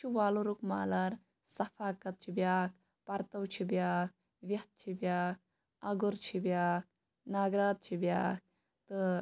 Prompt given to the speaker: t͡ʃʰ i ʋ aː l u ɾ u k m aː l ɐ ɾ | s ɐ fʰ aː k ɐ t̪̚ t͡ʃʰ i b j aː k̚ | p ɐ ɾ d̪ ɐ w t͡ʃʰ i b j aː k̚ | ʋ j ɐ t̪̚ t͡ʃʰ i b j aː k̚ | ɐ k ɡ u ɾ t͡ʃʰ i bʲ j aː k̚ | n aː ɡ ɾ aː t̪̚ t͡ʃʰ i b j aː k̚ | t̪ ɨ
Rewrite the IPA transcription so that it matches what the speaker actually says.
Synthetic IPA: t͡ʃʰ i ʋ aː l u ɾ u k m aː l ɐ ɾ | s ɐ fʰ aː k ɐ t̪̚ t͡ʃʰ i b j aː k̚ | p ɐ ɾ t̪ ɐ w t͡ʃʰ i b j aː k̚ | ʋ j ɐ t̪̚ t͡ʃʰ i b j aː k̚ | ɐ ɡ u ɾ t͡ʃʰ i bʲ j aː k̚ | n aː ɡ ɾ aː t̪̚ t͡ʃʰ i b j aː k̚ | t̪ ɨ